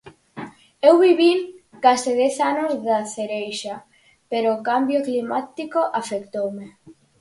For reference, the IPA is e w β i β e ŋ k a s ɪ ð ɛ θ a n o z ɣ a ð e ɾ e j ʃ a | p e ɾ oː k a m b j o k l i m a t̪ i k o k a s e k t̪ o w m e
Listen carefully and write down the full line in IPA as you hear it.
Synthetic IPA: e w β i β i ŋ k a s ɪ ð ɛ θ a n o z ð a θ e ɾ e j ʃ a | p e ɾ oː k a m b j o k l i m a t̪ i k o ʔ a f e k t̪ o w m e

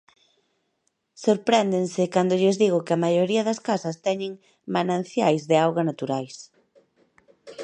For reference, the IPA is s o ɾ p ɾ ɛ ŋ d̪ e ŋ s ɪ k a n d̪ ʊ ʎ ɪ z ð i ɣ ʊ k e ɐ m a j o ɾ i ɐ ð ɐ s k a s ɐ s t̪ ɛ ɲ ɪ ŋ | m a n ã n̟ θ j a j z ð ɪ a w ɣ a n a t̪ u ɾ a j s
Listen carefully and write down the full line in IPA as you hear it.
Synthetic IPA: s o ɾ p ɾ ɛ n d̪ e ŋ s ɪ k a n d̪ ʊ ʎ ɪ z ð i ɣ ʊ k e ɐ m a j o ɾ i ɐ ð ɐ s k a s ɐ s t̪ ɛ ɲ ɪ ŋ | m a n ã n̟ θ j a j z ð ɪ a w ɣ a n a t̪ u ɾ a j s

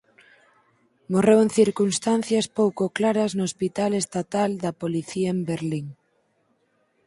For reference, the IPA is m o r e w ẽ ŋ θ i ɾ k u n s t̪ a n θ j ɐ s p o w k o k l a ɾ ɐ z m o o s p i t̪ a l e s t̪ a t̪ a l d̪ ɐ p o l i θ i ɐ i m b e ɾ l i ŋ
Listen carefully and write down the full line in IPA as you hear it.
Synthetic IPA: m o r e w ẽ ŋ θ i ɾ k u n s t̪ a n θ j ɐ s p o w k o k l a ɾ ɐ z n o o s p i t̪ a l e s t̪ a t̪ a l d̪ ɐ p o l i θ i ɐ e m b e ɾ l i ŋ

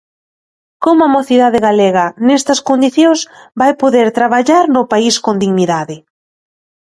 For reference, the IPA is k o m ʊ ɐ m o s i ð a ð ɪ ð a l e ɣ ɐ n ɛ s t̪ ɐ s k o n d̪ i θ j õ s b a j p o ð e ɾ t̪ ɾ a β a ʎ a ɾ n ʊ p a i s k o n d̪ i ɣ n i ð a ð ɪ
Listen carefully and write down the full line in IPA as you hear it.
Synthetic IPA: k o m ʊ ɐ m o θ i ð a ð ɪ ɣ a l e ɣ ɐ n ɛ s t̪ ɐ s k o n d̪ i θ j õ s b a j p o ð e ɾ t̪ ɾ a β a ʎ a ɾ n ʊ p a i s k o n d̪ i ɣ n i ð a ð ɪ

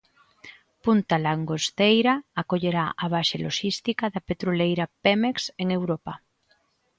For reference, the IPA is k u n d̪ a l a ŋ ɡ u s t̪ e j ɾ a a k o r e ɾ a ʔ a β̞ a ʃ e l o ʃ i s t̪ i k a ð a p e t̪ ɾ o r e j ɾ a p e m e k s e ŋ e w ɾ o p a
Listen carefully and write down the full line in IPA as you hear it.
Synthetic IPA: p u n t̪ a l a ŋ ɡ o s t̪ e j ɾ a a k o ʎ e ɾ a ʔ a β̞ a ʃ e l o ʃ i s t̪ i k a ð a p e t̪ ɾ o l e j ɾ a p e m e k s e ŋ e w ɾ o p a

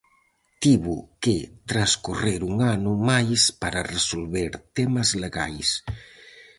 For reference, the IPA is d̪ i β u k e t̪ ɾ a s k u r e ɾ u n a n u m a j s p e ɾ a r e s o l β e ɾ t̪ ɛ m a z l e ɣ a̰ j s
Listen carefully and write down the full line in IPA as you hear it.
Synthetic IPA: t̪ i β u k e t̪ ɾ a s k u r e ɾ u ŋ a n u m a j s p a ɾ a r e s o l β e ɾ t̪ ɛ m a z l e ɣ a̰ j s

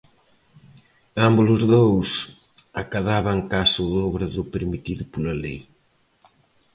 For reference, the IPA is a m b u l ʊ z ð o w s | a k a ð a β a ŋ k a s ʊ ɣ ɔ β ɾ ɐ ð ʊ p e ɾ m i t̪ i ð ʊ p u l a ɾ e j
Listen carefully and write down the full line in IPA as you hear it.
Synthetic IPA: a m b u l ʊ z ð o w s | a k a ð a β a ŋ k a s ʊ ð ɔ β ɾ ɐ ð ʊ p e ɾ m i t̪ i ð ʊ p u l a l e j

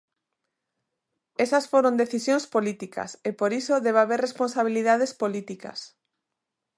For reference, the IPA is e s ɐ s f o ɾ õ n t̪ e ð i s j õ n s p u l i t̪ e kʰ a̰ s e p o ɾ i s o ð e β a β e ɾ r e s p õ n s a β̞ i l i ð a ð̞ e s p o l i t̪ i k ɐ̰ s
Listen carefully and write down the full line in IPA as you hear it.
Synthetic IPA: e s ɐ s f o ɾ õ n d̪ e θ i s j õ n s p o l i t̪ i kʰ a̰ s e p o ɾ i s o ð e β a β e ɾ r e s p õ n s a β̞ i l i ð a ð̞ e s p o l i t̪ i k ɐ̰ s

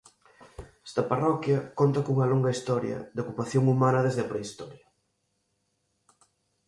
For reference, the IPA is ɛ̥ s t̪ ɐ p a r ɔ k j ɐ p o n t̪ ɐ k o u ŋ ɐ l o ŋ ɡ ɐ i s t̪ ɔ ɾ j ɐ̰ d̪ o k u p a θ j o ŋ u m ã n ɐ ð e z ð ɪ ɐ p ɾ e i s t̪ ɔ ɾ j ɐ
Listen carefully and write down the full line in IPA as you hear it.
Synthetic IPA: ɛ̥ s t̪ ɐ p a r ɔ k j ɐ k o n t̪ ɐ k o u ŋ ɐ l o ŋ ɡ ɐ i s t̪ ɔ ɾ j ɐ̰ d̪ o k u p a θ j o ŋ u m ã n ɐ ð e z ð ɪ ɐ p ɾ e i s t̪ ɔ ɾ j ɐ

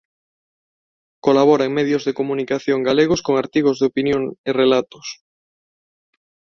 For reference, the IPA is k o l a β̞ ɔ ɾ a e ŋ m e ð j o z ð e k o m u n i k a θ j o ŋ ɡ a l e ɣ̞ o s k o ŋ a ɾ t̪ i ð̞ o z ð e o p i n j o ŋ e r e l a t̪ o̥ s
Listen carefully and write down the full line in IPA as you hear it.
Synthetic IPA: k o l a β̞ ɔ ɾ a e ŋ m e ð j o z ð e k o m u n i k a θ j o ŋ ɡ a l e ɣ̞ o s k o ŋ a ɾ t̪ i ɣ̞ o z ð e o p i n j o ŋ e r e l a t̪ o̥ s

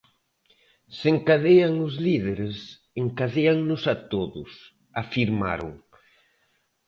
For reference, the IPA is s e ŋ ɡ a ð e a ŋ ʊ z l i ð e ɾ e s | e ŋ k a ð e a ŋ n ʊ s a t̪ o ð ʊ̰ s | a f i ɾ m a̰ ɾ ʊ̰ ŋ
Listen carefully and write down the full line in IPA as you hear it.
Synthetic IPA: s e ŋ k a ð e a ŋ ʊ z l i ð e ɾ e s | e ŋ k a ð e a ŋ n ʊ s a t̪ o ð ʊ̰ s | a f i ɾ m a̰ ɾ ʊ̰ ŋ

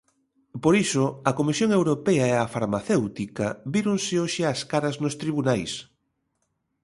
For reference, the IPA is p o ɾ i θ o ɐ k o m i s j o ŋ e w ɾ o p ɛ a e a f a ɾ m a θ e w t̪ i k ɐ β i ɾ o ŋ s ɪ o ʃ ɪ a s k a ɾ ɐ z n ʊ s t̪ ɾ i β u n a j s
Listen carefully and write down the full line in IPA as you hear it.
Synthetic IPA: p o ɾ i s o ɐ k o m i s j o ŋ e w ɾ o p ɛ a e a f a ɾ m a θ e w t̪ i k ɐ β i ɾ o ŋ s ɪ o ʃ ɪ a s k a ɾ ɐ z n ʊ s t̪ ɾ i β u n a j s

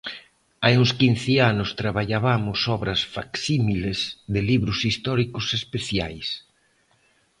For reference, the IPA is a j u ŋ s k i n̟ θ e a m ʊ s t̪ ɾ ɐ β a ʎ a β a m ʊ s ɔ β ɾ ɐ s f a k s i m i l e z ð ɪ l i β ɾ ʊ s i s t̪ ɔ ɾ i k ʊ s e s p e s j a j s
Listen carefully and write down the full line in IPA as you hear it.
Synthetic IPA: a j u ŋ s k i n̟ θ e a n ʊ s t̪ ɾ a β a ʎ a β a m ʊ s ɔ β ɾ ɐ s f a k s i m i l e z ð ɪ l i β ɾ ʊ s i s t̪ ɔ ɾ i k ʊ s e s p e θ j a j s

